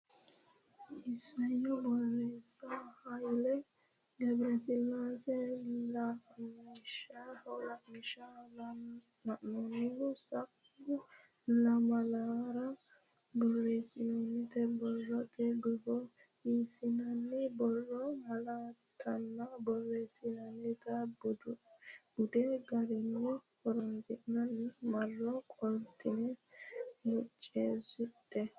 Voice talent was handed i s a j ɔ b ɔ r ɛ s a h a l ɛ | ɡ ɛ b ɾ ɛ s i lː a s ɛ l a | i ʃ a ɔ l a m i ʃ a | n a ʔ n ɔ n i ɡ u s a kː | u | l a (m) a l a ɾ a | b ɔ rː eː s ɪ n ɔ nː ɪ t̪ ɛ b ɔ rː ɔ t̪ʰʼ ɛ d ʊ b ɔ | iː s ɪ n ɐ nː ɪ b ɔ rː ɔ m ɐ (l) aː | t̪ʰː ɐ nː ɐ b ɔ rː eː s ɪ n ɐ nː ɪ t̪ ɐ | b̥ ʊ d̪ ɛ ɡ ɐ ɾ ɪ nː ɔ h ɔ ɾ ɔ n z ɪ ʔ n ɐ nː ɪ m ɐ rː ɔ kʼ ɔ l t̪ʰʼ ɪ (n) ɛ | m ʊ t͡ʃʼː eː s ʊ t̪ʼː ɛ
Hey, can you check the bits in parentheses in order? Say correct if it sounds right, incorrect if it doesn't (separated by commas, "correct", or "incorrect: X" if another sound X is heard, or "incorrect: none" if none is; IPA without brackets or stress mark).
correct, correct, correct